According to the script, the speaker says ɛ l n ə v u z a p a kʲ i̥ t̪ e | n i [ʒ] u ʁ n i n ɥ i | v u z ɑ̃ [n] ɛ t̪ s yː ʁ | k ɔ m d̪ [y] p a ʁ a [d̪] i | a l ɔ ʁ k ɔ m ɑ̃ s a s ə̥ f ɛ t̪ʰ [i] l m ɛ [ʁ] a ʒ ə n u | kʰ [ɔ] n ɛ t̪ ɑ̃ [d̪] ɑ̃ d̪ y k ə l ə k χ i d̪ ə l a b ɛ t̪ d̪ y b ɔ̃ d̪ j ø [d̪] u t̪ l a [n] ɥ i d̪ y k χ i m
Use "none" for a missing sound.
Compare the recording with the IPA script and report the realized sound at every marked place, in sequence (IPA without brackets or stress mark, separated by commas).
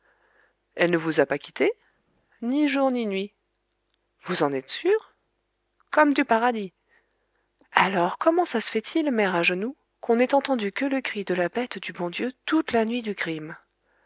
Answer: ʒ, n, y, d̪, i, ʁ, ɔ̃, t̪, t̪, n